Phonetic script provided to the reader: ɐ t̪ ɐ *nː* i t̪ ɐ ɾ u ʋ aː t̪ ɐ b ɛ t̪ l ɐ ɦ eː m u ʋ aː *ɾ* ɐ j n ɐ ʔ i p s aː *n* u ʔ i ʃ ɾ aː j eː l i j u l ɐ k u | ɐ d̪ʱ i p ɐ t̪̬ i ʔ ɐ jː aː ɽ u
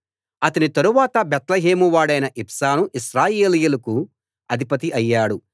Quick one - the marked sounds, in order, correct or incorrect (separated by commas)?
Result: incorrect, incorrect, correct